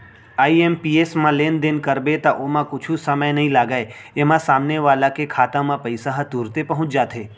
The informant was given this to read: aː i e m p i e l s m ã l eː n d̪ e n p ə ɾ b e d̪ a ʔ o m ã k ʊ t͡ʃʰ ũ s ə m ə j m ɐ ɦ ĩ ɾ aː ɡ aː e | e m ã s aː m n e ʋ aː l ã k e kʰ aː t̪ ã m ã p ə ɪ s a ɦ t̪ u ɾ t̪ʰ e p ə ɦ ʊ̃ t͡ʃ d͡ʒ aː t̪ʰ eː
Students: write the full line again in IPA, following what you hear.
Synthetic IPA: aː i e m p i e s m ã l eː n d̪ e n k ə ɾ b e t̪ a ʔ o m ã k ʊ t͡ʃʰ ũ s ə m ə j n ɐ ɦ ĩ l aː ɡ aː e | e m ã s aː m n e ʋ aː l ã k e kʰ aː t̪ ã m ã p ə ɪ s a ɦ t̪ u ɾ t̪ e p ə ɦ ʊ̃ t͡ʃ d͡ʒ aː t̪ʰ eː